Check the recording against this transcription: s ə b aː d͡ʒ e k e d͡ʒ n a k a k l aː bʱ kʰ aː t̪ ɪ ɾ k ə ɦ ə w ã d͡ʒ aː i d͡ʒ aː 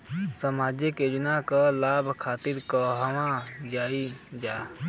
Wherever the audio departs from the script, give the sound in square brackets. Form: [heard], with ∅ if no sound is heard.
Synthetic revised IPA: s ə [m] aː d͡ʒ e k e d͡ʒ n a k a [∅] l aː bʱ kʰ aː t̪ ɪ ɾ k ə ɦ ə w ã d͡ʒ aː i d͡ʒ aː